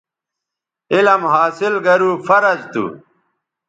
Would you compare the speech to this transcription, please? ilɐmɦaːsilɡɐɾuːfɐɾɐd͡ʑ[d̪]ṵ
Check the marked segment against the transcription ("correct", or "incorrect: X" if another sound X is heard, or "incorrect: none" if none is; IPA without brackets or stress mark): incorrect: t̪